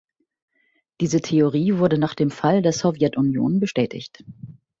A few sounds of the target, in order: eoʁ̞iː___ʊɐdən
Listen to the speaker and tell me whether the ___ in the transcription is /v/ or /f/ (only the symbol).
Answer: v